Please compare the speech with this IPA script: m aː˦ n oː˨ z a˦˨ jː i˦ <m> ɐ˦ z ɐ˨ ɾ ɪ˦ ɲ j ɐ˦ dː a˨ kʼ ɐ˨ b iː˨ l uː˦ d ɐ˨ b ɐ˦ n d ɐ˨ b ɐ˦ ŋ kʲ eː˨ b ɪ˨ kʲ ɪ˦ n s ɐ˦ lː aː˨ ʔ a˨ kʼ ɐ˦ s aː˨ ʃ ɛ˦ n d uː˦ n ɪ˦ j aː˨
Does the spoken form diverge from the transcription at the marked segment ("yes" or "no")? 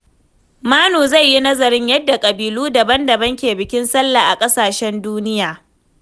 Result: yes